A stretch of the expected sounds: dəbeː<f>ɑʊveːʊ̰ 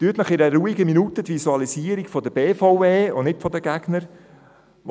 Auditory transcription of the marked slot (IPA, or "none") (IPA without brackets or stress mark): f